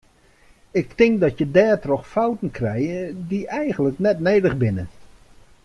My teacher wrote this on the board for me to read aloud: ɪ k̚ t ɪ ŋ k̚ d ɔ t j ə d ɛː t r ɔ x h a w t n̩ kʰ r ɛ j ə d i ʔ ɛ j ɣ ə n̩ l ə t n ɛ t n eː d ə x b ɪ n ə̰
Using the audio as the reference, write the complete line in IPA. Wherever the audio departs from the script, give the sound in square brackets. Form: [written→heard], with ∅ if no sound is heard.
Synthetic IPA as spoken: ɪ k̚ t ɪ ŋ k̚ d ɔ t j ə d ɛː t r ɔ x [h→f] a w t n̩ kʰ r ɛ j ə d i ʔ ɛ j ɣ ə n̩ l ə [t→k] n ɛ t n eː d ə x b ɪ n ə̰

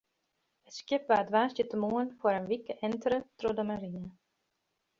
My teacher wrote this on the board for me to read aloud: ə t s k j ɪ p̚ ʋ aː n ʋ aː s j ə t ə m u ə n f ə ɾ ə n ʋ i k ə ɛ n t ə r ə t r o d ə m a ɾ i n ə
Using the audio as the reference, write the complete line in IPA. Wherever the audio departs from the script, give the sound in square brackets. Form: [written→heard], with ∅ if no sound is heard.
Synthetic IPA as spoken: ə t s k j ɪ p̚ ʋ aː [n→d] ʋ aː s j ə t ə m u ə n f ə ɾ ə n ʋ i k ə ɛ n t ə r ə t r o d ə m a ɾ i n ə

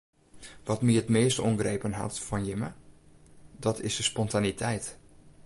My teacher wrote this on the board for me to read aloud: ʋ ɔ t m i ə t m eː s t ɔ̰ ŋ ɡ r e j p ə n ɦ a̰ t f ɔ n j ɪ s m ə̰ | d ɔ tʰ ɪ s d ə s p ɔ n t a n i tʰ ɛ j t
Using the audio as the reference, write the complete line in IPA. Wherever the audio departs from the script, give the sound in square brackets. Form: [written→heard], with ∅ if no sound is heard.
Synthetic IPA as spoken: ʋ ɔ t m i ə t m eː s t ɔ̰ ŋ ɡ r e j p ə n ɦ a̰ t f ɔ n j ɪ [s→∅] m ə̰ | d ɔ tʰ ɪ s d ə s p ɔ n t a n i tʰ ɛ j t

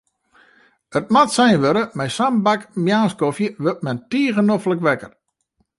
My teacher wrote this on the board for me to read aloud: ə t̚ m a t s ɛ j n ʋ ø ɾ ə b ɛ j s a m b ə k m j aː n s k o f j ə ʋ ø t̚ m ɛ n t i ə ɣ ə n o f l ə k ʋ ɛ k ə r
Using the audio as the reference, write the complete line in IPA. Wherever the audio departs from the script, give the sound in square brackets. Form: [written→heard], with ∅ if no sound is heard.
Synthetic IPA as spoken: ə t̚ m a t s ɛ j n ʋ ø ɾ ə [b→m] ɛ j s a m b [ə→a] k m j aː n s k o f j ə ʋ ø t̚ m ɛ n t i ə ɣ ə n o f l ə k ʋ ɛ k ə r

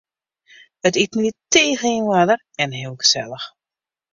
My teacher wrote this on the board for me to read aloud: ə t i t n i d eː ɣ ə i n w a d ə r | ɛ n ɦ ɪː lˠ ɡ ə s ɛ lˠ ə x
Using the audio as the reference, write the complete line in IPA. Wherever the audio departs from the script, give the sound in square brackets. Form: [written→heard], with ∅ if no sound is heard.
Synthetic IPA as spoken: ə t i t n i [d→t] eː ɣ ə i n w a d ə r | ɛ n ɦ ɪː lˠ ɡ ə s ɛ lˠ ə x

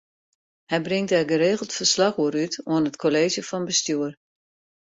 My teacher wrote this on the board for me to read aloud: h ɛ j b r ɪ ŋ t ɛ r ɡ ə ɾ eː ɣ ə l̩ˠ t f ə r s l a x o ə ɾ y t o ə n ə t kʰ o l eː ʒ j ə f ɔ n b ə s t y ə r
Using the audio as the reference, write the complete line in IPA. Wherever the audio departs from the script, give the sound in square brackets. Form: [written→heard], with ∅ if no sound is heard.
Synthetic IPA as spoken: h ɛ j b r ɪ ŋ t ɛ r ɡ ə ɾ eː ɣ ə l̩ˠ t f ə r s l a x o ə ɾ y t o ə n ə t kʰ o l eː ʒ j ə f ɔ n b ə s t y ə r

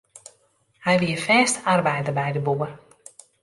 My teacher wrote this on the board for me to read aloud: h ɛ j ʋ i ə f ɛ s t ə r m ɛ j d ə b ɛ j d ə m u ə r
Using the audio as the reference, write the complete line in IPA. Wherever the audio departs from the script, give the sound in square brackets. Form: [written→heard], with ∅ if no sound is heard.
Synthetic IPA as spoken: h ɛ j ʋ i ə f [ɛ→ɛː] s t [ə→a] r [m→b] ɛ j d ə b ɛ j d ə [m→b] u ə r

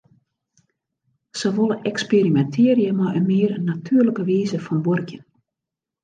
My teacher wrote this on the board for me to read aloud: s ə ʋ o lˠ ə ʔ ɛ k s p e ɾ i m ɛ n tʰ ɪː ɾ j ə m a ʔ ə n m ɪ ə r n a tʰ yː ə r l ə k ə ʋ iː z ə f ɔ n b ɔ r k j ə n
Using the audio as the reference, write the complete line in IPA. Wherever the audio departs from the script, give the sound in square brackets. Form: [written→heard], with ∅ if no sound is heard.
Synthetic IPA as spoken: s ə ʋ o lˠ ə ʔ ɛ k s p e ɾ i m ɛ n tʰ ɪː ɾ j ə m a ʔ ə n m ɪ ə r n a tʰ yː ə r l ə k ə ʋ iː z ə f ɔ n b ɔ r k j ə n

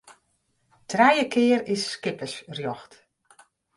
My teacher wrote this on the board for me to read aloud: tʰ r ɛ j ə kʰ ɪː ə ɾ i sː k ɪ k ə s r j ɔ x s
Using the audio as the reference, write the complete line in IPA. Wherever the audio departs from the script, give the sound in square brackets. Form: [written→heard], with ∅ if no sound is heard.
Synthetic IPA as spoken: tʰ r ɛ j ə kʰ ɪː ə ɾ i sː k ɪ [k→p] ə s r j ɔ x [s→t]

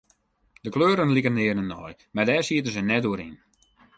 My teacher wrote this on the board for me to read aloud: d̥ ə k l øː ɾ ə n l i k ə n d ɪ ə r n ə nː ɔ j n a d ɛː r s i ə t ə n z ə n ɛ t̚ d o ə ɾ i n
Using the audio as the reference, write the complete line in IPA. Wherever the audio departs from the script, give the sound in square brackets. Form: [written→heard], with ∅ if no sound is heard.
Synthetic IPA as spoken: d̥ ə k l øː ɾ ə n l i k ə n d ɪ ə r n ə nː ɔ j [n→m] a d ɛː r s i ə t ə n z ə n ɛ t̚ d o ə ɾ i n

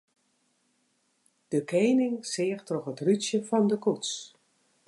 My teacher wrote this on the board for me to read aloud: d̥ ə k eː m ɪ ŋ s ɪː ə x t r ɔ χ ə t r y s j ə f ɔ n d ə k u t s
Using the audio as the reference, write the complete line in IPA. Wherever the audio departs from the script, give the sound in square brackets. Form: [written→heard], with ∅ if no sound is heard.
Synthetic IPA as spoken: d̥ ə k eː [m→n] ɪ ŋ s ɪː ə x t r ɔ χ ə t r y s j ə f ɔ n d ə k u t s

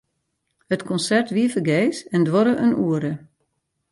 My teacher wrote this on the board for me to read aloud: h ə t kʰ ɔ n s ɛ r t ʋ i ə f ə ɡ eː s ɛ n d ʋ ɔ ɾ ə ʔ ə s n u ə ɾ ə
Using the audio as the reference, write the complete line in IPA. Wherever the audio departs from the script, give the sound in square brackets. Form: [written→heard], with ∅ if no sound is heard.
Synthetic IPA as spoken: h ə t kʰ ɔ n s ɛ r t ʋ i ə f ə ɡ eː s ɛ n d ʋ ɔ ɾ ə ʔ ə [s→∅] n u ə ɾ ə

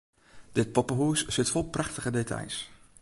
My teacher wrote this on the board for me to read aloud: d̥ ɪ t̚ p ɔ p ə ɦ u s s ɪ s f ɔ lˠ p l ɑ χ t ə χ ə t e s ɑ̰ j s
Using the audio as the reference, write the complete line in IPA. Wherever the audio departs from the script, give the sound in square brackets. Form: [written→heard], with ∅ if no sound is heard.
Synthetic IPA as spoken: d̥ ɪ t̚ p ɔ p ə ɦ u s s ɪ [s→t] f ɔ lˠ p [l→r] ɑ χ t ə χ ə [t→d] e [s→t] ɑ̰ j s

